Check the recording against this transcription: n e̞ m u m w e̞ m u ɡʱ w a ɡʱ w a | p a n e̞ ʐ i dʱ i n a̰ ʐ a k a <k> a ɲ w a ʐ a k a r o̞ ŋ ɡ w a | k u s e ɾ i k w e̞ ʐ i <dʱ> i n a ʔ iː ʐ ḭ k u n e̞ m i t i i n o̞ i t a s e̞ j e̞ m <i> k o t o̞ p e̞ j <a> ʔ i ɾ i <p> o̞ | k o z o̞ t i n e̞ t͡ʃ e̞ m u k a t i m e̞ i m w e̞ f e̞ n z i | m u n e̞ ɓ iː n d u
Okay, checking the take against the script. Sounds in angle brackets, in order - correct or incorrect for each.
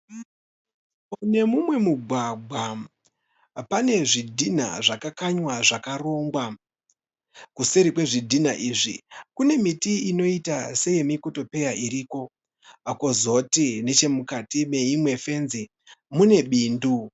correct, correct, correct, correct, incorrect

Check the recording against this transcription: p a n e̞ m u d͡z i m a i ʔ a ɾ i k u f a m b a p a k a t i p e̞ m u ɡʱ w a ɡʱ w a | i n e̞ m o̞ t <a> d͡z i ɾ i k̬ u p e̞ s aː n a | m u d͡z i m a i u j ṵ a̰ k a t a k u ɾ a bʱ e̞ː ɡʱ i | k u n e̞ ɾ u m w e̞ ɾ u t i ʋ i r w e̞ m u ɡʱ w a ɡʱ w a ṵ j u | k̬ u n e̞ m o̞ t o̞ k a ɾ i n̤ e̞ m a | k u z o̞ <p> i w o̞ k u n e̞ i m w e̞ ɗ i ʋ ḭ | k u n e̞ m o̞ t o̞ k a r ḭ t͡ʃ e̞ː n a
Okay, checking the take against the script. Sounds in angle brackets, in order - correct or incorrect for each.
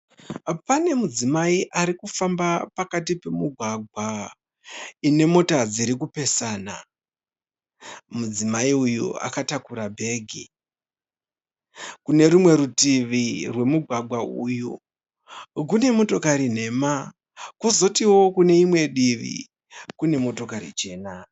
correct, incorrect

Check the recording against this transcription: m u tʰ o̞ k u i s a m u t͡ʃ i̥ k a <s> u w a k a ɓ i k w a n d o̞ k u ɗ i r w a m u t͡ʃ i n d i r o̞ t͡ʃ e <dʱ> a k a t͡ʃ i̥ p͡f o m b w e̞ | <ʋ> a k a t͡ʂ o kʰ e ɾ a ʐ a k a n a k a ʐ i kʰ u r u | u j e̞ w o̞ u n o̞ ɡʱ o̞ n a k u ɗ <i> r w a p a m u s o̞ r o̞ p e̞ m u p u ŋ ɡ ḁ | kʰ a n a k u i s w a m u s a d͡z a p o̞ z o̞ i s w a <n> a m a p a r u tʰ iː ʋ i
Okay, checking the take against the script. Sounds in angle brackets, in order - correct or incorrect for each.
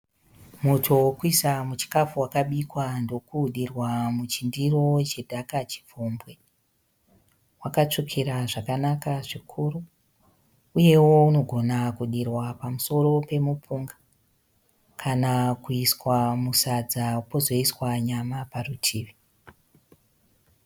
incorrect, correct, incorrect, correct, incorrect

